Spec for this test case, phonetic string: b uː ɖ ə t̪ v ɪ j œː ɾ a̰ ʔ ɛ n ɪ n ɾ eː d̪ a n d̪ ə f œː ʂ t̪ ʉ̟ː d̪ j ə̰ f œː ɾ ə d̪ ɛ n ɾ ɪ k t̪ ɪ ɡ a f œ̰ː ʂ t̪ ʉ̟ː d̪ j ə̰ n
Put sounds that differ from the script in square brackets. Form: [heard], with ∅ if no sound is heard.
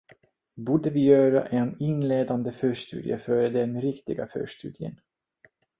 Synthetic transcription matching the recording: b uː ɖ ə [∅] v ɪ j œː ɾ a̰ ʔ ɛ n ɪ n [l] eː d̪ a n d̪ ə f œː ʂ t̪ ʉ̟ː d̪ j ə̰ f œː ɾ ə d̪ ɛ n ɾ ɪ k t̪ ɪ ɡ a f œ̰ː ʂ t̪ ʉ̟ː d̪ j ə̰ n